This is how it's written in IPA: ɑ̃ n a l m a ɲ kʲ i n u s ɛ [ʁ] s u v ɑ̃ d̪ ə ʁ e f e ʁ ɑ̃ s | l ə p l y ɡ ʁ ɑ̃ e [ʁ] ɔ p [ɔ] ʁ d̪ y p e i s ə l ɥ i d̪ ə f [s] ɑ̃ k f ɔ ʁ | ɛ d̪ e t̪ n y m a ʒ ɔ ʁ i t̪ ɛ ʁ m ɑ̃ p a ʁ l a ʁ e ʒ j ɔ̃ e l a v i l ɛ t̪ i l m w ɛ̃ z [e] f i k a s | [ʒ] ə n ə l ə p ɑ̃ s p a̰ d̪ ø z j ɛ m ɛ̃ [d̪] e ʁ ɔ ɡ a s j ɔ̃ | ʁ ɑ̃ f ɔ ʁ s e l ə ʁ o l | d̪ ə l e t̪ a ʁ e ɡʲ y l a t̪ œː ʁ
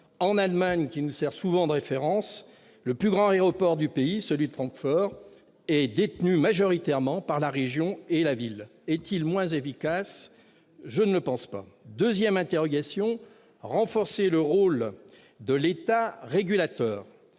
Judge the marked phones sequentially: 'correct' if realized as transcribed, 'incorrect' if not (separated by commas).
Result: correct, correct, correct, incorrect, correct, correct, incorrect